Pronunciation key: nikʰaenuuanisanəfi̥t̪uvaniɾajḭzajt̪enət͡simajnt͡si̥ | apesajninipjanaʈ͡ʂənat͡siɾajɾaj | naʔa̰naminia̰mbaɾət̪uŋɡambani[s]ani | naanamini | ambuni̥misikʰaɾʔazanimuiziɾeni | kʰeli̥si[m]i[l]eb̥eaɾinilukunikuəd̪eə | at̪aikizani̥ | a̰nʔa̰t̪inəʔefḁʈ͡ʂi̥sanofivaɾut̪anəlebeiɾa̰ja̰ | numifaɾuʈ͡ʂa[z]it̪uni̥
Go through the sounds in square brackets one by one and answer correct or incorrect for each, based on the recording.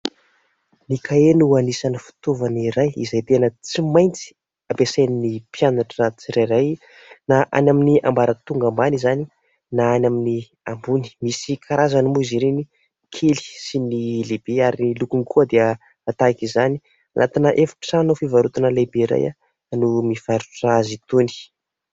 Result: incorrect: z, incorrect: n, correct, correct

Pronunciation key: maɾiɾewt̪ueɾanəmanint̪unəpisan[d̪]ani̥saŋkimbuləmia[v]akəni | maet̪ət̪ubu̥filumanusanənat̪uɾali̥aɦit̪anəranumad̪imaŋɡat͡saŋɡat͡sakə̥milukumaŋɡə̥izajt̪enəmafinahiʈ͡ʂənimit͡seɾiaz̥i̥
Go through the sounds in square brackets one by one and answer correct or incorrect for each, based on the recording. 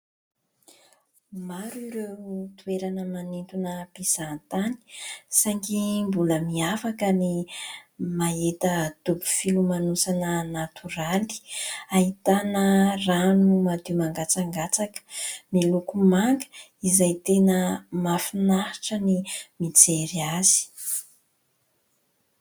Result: incorrect: t̪, incorrect: f

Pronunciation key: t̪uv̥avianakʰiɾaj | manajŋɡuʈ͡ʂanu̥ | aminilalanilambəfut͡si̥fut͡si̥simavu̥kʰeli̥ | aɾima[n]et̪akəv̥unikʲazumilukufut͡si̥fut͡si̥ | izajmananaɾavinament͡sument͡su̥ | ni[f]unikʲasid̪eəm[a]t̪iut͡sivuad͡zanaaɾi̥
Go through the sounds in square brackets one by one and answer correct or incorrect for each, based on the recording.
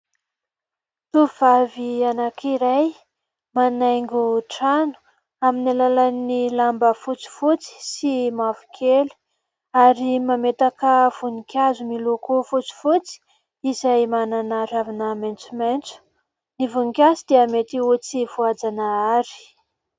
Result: incorrect: m, incorrect: v, incorrect: e

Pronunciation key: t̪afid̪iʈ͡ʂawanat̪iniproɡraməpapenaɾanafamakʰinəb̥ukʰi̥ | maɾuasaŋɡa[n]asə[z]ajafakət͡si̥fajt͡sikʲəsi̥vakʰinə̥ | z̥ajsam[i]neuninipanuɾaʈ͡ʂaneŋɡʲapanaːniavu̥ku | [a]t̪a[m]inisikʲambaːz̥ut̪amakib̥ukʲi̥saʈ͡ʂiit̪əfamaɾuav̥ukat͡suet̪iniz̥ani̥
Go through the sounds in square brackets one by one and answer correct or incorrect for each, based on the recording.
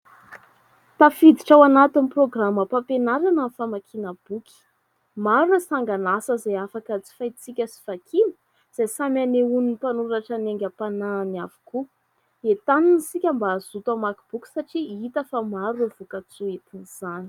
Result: correct, correct, incorrect: a, incorrect: e, incorrect: n

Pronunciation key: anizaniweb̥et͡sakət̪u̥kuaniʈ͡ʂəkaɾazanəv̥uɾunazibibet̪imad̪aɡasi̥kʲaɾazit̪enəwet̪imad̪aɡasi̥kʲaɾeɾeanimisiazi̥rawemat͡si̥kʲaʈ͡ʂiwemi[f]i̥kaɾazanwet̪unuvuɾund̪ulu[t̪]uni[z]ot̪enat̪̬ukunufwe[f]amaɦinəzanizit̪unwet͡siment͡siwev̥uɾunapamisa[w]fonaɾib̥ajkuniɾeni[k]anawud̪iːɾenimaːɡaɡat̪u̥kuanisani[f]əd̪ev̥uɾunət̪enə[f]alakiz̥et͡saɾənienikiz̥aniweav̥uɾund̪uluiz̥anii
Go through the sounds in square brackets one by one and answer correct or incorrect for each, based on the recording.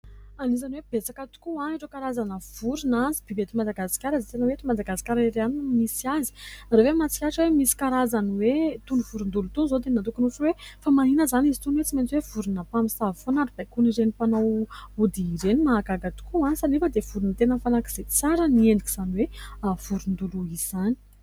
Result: incorrect: s, correct, correct, correct, incorrect: v, incorrect: p, correct, correct

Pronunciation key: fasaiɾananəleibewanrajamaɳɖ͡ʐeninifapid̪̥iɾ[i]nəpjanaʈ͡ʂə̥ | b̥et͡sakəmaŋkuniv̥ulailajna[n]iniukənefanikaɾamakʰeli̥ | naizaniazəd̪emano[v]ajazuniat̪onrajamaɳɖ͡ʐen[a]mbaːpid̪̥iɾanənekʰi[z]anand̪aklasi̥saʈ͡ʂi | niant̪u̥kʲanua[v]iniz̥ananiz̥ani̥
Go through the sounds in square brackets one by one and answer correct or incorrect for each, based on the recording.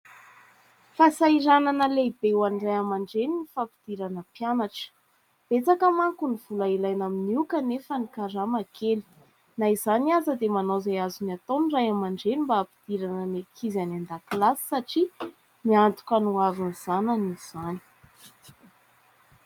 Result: incorrect: a, incorrect: m, incorrect: z, incorrect: i, correct, correct

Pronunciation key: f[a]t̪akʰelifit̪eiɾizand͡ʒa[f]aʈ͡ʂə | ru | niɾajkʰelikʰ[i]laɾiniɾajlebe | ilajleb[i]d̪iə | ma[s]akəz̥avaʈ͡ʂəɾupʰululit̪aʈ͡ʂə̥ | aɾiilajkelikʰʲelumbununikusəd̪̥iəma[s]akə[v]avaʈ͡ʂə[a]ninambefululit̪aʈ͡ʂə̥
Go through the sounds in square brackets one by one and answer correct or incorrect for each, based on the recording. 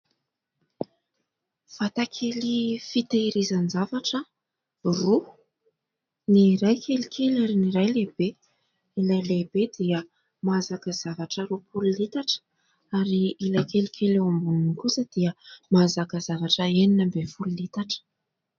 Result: correct, incorrect: v, incorrect: e, incorrect: e, incorrect: z, incorrect: z, incorrect: z, incorrect: e

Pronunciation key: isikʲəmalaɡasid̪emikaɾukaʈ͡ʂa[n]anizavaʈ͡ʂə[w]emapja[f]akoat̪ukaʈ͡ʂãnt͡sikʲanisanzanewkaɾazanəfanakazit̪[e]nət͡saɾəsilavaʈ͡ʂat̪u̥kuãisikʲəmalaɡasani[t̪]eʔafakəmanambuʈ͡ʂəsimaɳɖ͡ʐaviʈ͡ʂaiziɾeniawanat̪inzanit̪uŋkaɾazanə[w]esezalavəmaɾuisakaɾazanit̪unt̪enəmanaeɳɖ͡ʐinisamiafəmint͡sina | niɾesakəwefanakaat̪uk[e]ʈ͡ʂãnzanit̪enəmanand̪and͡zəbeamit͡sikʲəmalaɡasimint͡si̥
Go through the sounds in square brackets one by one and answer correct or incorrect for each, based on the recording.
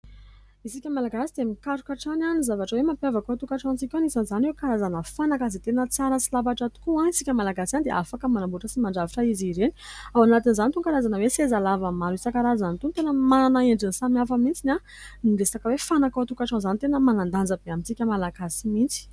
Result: correct, correct, incorrect: v, correct, incorrect: d̪, correct, incorrect: a

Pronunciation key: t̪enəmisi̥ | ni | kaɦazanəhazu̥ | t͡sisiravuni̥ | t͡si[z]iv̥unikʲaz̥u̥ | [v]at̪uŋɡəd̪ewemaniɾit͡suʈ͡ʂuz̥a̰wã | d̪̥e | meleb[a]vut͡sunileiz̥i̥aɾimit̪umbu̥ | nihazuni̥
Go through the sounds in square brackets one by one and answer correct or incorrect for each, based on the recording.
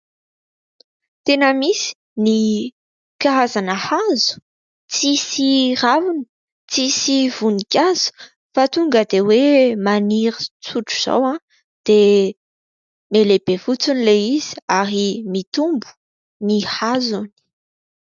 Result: incorrect: s, incorrect: f, incorrect: e

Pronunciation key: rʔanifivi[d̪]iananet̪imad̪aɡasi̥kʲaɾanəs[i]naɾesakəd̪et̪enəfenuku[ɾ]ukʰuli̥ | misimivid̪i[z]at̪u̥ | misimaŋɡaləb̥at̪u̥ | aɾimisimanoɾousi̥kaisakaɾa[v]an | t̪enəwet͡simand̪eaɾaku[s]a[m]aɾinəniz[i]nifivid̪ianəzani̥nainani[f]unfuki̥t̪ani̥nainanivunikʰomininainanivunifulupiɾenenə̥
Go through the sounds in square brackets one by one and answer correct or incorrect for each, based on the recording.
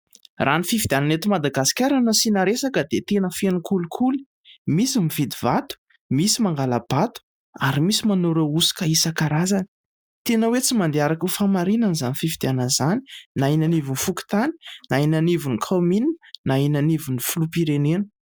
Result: correct, correct, incorrect: l, incorrect: v, incorrect: z, incorrect: f, correct, incorrect: a, incorrect: v

